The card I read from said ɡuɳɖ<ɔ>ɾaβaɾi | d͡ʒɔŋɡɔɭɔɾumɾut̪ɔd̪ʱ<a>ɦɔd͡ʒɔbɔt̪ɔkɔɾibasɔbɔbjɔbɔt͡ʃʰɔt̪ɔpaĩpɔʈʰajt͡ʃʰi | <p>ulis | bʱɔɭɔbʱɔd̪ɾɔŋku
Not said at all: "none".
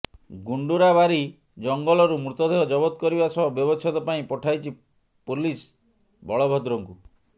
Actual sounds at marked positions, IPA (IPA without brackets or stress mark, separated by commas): u, e, p